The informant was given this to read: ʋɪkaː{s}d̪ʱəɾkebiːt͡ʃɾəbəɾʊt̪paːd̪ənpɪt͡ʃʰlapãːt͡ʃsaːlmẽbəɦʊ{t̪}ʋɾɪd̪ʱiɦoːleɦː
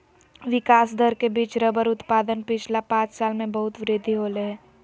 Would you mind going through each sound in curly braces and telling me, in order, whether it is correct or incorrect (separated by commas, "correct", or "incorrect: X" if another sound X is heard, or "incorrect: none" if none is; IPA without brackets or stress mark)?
correct, correct